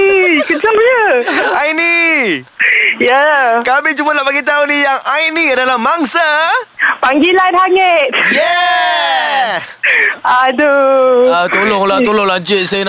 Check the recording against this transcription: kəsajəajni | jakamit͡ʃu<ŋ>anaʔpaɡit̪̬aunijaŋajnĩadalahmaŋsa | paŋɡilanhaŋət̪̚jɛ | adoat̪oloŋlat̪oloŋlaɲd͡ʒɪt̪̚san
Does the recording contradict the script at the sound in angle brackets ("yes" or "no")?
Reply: yes